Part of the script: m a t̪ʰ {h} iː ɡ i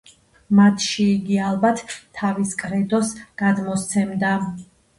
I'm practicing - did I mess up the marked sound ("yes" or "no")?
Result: yes